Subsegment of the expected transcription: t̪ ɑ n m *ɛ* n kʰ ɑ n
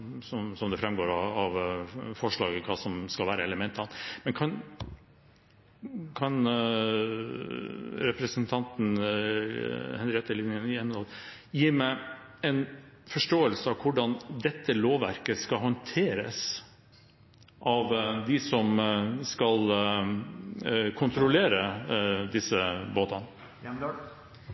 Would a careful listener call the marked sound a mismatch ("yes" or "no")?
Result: no